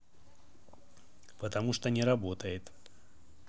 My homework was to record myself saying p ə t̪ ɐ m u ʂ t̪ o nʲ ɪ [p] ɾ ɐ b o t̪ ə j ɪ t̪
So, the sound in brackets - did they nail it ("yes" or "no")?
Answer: no